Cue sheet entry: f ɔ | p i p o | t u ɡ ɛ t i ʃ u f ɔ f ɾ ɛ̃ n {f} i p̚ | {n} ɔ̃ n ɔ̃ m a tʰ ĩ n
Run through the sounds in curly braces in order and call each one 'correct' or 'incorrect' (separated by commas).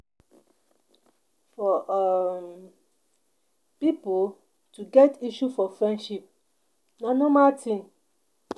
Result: incorrect, correct